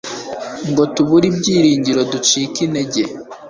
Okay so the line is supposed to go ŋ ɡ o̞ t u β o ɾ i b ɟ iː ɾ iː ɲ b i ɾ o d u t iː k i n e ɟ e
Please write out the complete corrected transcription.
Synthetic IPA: ŋ ɡ o̞ t u β u ɾ i b ɟ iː ɾ iː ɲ ɟ i ɾ o d u t͡ʃ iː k i n e ɟ e